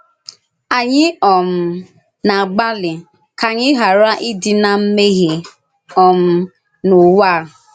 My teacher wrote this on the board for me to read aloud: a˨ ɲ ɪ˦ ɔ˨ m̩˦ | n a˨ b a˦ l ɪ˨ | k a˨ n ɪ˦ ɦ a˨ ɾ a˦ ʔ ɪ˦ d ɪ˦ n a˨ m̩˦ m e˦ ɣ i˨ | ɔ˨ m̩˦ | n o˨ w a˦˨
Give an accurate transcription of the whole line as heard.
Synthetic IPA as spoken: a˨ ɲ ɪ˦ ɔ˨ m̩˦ | n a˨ ɡ͡b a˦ l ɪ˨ | k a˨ ɲ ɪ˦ ɦ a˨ ɾ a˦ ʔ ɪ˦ d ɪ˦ n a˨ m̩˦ m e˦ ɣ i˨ | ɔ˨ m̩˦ | n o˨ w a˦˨